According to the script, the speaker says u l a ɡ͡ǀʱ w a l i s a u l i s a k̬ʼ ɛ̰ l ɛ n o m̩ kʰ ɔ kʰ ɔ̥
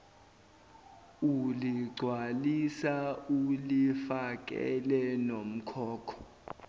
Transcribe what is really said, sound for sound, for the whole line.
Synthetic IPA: u l i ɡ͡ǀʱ w a l i s a u l i f a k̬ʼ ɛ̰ l ɛ n o m̩ kʰ ɔː kʰ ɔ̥